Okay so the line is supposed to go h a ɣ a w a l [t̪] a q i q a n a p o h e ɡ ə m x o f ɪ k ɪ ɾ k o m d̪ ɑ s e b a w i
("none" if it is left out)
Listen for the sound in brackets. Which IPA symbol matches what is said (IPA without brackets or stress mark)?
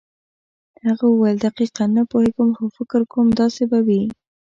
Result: d̪